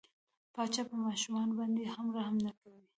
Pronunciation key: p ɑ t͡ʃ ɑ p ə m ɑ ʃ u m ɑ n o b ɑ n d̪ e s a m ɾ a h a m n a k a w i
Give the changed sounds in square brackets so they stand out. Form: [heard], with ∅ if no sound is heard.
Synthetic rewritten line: p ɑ t͡ʃ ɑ p ə m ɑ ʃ u m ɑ n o b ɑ n d̪ e [h] a m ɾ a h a m n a k a w i